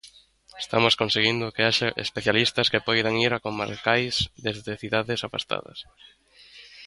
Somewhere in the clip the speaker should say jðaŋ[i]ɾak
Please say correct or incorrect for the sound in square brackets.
correct